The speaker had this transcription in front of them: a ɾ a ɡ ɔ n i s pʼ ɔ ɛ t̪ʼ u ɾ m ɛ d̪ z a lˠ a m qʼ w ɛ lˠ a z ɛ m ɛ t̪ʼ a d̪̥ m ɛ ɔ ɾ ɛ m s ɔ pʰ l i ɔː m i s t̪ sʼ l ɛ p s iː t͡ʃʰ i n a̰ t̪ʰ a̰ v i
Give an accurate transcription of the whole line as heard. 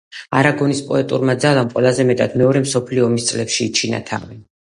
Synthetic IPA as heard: a ɾ a ɡ ɔ n i s pʼ ɔ ɛ t̪ʼ u ɾ m a d̪ z a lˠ a m qʼ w ɛ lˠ a z ɛ m ɛ t̪ʼ a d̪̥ m ɛ ɔ ɾ ɛ m s ɔ pʰ l i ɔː m i s t̪ sʼ l ɛ p ʃ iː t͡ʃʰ i n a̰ t̪ʰ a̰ v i